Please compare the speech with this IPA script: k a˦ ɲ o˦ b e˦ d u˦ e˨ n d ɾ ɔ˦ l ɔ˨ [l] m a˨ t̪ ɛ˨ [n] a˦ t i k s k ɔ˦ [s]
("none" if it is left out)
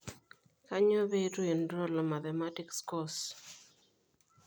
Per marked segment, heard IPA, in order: none, m, s

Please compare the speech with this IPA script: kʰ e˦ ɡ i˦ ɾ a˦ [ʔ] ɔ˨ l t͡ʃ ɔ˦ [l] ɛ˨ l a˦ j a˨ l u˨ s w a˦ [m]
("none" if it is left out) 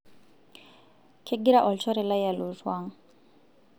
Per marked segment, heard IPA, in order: ʔ, ɾ, ŋ

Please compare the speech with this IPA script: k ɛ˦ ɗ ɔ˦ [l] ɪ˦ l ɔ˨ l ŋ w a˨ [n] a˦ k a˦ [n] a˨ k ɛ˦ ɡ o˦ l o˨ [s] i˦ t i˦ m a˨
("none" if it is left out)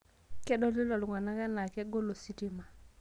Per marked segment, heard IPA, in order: l, n, n, s

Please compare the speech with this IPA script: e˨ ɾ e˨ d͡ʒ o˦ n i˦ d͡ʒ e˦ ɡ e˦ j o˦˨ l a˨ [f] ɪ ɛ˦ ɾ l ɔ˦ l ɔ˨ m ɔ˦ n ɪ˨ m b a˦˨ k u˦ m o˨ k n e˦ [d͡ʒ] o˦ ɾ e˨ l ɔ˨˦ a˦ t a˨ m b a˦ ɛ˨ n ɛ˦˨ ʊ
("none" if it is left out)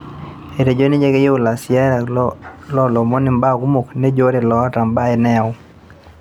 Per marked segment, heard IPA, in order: s, d͡ʒ

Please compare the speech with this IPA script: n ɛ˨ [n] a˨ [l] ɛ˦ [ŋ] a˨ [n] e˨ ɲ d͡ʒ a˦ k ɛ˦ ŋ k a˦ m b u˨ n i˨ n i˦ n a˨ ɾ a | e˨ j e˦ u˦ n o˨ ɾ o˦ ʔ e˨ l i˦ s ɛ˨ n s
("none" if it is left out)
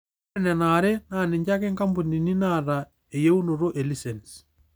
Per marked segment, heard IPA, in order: n, ɾ, n, n

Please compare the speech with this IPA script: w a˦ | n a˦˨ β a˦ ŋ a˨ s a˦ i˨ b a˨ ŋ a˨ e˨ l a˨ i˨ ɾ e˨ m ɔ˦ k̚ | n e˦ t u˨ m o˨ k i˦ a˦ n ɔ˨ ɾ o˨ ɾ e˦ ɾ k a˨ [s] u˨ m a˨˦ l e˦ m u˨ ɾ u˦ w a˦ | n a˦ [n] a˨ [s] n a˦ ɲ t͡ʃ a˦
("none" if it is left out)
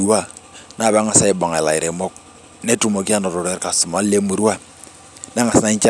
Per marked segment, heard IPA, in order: s, ŋ, s

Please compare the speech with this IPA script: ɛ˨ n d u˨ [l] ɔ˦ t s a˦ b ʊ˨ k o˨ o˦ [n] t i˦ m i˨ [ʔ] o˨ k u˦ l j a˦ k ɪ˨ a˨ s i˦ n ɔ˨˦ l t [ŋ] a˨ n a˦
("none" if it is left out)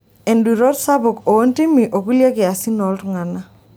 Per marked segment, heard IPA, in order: ɾ, n, ʔ, ŋ

